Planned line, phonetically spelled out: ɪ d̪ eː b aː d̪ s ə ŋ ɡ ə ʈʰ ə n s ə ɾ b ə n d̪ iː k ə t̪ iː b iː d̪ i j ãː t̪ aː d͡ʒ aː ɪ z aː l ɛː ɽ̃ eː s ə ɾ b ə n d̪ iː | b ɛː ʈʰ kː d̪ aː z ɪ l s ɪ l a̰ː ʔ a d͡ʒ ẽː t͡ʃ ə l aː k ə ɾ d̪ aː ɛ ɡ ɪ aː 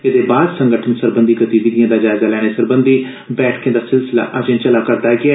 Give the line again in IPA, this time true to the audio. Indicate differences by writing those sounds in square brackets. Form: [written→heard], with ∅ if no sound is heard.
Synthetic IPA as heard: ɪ d̪ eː b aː d̪ s ə ŋ ɡ ə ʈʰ ə n s ə ɾ b ə n d̪ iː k ə t̪ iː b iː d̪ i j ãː [t̪→d̪] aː d͡ʒ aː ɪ z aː l ɛː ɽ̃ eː s ə ɾ b ə n d̪ iː | b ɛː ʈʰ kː d̪ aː [z→s] ɪ l s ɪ l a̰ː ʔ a d͡ʒ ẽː t͡ʃ ə l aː k ə ɾ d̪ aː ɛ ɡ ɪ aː